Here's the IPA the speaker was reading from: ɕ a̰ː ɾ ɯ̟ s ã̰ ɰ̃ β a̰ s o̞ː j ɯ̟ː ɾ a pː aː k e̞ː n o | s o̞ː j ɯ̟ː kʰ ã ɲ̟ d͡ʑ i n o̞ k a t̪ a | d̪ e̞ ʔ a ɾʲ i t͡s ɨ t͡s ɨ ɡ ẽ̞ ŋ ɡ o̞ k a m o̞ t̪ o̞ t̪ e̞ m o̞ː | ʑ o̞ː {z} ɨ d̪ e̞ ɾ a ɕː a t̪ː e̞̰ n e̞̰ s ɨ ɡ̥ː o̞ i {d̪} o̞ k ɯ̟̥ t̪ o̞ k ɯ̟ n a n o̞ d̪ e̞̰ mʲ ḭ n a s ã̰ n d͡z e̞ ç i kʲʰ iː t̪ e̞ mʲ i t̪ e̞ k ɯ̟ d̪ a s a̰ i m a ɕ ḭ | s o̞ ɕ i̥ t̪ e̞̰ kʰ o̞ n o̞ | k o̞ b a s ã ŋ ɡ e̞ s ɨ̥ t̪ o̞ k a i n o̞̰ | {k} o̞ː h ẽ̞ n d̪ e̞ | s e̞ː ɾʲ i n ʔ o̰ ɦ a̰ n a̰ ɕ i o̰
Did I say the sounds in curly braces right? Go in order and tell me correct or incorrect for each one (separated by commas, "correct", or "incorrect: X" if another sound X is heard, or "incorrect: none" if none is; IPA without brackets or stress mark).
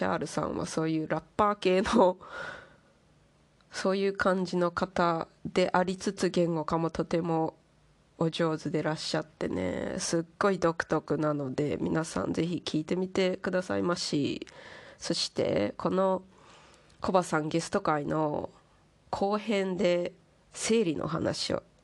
correct, correct, incorrect: kʰ